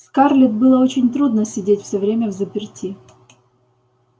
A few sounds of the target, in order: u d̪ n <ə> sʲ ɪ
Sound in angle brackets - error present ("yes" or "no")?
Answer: no